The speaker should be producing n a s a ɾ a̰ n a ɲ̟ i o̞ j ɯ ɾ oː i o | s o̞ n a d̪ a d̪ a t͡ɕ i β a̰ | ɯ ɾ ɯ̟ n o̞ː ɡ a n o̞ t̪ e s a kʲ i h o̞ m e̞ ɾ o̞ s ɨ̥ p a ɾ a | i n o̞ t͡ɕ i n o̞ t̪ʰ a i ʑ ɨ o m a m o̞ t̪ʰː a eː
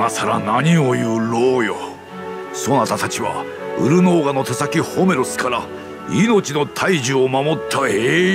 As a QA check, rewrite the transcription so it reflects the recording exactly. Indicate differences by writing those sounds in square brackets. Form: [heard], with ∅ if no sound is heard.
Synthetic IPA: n a s a ɾ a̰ n a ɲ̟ i o̞ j ɯ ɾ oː [j] o | s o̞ n a [t̪] a [t̪] a t͡ɕ i β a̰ | ɯ ɾ ɯ̟ n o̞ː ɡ a n o̞ t̪ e s a kʲ i h o̞ m e̞ ɾ o̞ s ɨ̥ [k] a ɾ a | i n o̞ t͡ɕ i n o̞ t̪ʰ a i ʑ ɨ o m a m o̞ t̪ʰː a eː